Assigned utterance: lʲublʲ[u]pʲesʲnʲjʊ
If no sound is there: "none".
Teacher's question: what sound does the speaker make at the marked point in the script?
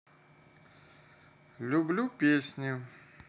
u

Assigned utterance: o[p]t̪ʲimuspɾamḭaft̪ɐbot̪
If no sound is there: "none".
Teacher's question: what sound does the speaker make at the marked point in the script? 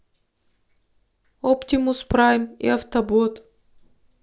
p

